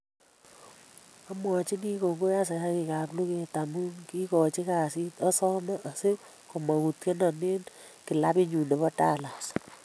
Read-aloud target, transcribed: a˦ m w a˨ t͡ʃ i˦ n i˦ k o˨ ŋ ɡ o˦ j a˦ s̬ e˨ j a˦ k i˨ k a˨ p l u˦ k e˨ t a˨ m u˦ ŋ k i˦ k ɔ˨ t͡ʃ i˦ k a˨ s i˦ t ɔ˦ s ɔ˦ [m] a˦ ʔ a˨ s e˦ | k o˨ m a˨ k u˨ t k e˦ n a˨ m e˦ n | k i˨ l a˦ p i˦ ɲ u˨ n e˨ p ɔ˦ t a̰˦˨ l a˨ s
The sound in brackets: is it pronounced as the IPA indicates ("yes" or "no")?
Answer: yes